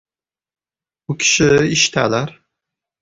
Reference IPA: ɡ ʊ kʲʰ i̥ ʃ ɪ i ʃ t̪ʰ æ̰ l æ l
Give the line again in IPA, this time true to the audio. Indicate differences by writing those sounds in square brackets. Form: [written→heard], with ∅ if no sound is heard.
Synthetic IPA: [ɡ→b] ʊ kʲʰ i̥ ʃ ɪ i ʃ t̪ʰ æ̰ l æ [l→ɾ]

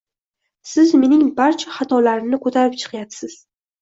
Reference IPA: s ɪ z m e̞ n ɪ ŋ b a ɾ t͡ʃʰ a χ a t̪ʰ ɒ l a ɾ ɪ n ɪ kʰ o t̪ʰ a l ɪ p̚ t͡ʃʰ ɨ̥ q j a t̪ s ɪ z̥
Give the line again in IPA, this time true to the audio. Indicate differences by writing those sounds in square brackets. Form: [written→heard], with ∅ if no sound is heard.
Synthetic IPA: s ɪ z m e̞ n ɪ ŋ b a ɾ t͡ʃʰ a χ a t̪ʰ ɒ l a ɾ ɪ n ɪ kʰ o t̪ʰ a [l→ɾ] ɪ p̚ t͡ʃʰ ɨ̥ q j a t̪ s ɪ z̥

